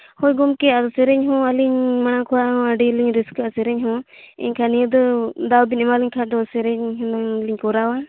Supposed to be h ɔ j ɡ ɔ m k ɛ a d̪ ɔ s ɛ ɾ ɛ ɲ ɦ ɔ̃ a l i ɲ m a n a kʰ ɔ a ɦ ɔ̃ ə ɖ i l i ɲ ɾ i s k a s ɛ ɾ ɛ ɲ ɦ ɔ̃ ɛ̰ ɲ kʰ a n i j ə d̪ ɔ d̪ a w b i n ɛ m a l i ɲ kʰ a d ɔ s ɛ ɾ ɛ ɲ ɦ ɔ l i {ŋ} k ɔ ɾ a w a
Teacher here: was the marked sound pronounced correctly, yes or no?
no